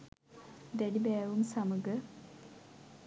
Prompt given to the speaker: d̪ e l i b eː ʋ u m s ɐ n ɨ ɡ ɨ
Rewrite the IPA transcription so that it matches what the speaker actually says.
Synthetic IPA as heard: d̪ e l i b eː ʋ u m s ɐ m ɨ ɡ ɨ